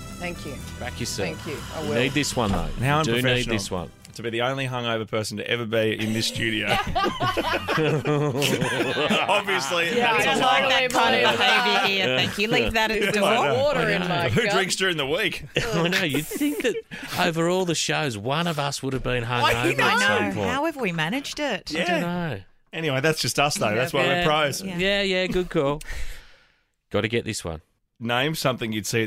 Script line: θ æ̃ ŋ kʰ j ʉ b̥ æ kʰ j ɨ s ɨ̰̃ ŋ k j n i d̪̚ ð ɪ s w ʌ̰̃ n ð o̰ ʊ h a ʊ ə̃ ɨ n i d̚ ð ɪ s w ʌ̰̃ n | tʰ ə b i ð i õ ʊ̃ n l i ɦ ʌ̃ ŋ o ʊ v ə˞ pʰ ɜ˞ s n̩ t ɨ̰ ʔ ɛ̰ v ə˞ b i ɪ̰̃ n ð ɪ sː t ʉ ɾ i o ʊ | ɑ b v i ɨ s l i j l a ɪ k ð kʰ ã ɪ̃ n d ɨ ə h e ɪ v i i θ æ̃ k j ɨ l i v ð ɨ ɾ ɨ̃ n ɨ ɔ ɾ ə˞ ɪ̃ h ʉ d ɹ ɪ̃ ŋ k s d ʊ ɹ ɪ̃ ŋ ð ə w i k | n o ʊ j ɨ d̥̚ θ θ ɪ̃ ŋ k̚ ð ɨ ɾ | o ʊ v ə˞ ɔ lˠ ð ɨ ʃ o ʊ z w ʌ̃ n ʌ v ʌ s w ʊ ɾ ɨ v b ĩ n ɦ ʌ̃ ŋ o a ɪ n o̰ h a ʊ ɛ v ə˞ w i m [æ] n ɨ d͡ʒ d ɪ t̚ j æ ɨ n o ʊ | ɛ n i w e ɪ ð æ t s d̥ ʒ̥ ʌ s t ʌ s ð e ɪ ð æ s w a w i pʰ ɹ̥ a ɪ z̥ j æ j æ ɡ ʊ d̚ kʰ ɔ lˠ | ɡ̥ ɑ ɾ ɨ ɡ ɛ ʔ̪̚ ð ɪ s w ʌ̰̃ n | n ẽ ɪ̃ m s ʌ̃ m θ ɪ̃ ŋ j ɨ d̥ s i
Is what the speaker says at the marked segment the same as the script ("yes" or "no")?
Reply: yes